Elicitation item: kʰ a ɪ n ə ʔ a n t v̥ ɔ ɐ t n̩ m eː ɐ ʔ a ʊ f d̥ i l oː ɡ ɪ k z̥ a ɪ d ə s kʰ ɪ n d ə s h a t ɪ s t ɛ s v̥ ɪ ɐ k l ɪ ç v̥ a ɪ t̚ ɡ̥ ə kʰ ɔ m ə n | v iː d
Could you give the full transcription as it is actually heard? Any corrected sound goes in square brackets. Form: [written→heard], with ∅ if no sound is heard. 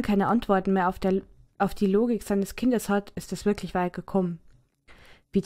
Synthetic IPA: kʰ a ɪ n ə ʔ a n t v̥ ɔ ɐ t n̩ m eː ɐ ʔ a ʊ f d̥ [i→iː] l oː ɡ ɪ k z̥ a ɪ [d→n] ə s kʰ ɪ n d ə s h a t ɪ s t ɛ s v̥ ɪ ɐ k l ɪ ç v̥ a ɪ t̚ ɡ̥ ə kʰ ɔ m ə n | v iː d